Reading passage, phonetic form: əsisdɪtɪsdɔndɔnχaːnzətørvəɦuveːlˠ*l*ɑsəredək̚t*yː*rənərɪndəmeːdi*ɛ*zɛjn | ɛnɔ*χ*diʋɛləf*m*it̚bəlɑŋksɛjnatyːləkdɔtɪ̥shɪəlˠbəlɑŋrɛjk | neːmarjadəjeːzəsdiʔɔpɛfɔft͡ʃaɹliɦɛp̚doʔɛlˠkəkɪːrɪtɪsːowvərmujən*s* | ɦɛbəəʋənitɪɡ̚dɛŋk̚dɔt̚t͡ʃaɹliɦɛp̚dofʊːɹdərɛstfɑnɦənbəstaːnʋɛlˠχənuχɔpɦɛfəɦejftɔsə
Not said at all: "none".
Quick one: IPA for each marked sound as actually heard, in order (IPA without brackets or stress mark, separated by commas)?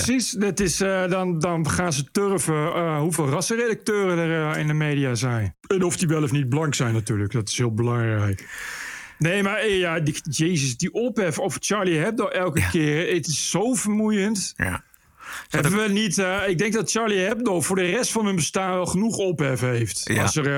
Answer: r, øː, a, f, n, t